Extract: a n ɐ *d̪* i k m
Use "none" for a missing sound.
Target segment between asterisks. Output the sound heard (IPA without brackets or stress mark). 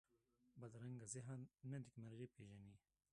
d̪